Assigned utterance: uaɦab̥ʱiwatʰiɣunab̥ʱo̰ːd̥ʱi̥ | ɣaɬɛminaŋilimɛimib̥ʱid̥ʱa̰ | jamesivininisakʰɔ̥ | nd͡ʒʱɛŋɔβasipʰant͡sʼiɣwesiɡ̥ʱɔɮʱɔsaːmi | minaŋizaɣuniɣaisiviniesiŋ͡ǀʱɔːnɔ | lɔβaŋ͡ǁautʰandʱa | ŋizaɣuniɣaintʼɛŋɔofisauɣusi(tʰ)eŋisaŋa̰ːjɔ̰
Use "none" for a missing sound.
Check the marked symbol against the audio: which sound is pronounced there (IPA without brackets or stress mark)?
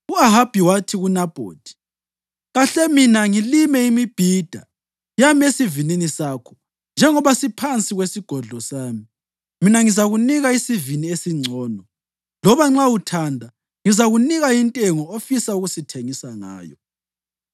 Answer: tʰ